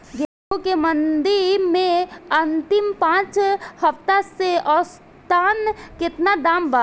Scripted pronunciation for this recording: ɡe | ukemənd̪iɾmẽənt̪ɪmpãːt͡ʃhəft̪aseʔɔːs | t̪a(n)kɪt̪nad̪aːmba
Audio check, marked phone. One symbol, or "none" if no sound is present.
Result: n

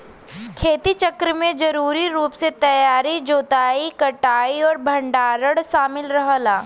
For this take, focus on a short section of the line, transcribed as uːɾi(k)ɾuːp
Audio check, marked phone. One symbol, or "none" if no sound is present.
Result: none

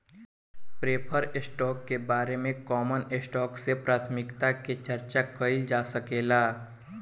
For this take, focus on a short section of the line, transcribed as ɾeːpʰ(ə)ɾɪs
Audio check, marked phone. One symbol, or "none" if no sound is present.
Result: ə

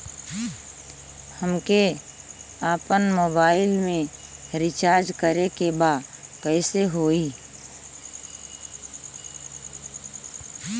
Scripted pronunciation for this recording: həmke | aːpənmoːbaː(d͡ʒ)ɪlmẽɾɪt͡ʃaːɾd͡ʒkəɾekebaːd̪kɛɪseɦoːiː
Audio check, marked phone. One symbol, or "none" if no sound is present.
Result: none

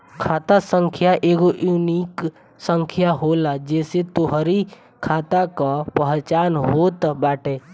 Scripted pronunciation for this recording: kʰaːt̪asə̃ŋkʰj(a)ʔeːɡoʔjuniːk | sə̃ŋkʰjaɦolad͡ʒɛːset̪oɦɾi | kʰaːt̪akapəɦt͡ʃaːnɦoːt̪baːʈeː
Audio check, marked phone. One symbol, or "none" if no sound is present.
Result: a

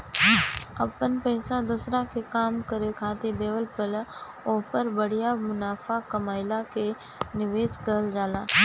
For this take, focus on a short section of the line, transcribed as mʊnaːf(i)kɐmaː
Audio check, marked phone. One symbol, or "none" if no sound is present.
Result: a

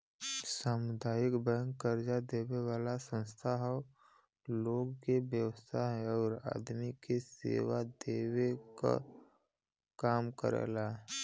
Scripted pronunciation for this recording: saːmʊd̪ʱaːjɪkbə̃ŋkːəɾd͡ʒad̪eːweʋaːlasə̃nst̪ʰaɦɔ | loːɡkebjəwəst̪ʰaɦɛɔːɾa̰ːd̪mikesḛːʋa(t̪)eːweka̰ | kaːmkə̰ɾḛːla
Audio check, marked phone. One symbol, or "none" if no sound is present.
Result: d̪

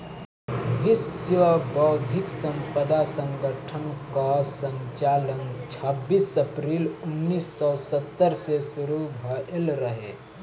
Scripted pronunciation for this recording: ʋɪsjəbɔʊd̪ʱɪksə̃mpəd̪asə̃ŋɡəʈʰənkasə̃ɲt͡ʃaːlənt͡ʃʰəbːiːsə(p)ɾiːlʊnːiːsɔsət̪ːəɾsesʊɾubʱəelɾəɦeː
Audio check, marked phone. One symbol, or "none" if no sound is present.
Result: p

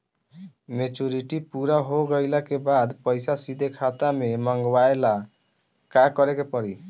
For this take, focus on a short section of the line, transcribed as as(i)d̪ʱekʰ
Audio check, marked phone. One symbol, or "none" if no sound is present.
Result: i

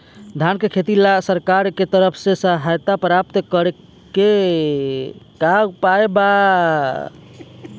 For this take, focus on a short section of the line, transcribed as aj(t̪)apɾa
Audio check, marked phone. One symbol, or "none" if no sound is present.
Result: t̪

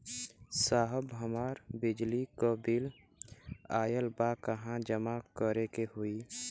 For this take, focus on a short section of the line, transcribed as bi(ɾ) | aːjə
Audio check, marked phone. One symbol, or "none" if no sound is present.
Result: l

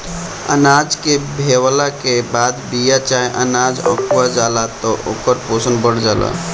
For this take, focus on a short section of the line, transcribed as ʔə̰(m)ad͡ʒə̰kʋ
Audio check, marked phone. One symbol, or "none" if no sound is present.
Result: n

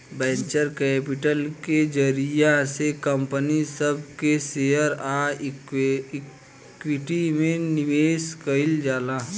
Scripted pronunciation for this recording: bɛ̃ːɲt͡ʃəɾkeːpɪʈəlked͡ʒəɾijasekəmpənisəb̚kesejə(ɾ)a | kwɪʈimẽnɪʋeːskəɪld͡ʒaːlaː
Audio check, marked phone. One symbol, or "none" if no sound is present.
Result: ɾ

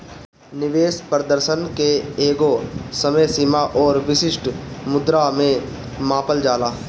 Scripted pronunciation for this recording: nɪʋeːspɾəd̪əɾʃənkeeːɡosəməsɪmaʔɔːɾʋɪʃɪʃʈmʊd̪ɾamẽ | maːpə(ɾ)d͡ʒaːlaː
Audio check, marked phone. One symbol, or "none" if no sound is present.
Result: l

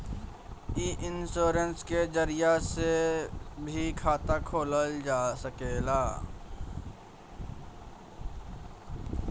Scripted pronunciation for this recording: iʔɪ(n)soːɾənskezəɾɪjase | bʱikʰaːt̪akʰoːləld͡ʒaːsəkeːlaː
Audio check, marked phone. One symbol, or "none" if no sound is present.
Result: n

